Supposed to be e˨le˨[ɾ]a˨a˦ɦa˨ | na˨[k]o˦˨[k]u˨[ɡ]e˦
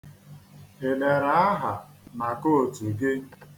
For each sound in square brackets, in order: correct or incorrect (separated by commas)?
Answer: correct, correct, incorrect, correct